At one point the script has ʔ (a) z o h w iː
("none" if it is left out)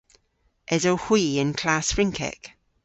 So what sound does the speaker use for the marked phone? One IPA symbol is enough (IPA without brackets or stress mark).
ɛ